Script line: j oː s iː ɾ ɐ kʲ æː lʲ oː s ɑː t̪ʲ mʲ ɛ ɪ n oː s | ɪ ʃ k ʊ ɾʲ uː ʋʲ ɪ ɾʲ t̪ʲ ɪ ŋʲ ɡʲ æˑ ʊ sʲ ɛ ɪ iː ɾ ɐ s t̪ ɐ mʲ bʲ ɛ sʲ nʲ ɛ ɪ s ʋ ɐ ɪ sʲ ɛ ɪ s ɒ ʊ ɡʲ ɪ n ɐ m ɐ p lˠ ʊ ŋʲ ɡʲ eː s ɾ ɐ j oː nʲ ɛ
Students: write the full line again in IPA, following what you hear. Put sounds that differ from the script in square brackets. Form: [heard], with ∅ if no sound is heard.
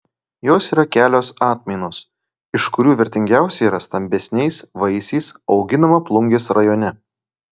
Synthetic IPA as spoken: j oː s iː ɾ ɐ kʲ æː lʲ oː s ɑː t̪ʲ mʲ ɛ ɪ n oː s | ɪ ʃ k ʊ ɾʲ uː ʋʲ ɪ ɾʲ t̪ʲ ɪ ŋʲ ɡʲ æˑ ʊ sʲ ɛ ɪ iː ɾ ɐ s t̪ ɐ mʲ bʲ ɛ sʲ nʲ ɛ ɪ s ʋ ɐ ɪ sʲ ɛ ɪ s ɒ ʊ ɡʲ ɪ n ɐ m ɐ p lˠ ʊ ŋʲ ɡʲ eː s ɾ ɐ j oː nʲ ɛ